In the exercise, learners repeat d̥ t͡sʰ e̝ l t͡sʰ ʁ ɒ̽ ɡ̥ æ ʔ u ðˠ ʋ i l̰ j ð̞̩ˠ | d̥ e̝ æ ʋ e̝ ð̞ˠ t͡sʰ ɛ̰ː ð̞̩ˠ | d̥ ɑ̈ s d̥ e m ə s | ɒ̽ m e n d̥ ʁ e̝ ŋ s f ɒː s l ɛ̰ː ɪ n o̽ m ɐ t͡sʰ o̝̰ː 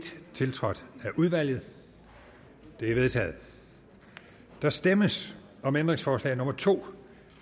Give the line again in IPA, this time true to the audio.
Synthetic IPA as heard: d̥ t͡sʰ e̝ l t͡sʰ ʁ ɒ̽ d̥ æ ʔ u ðˠ ʋ æ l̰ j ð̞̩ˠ | d̥ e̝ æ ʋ e̝ ð̞ˠ t͡sʰ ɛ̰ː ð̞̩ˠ | d̥ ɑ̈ s d̥ e m ə s | ɒ̽ m e n d̥ ʁ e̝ ŋ s f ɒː s l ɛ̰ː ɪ n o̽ m ɐ t͡sʰ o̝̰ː